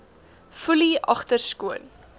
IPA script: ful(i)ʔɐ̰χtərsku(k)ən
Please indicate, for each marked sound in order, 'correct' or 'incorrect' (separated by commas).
correct, incorrect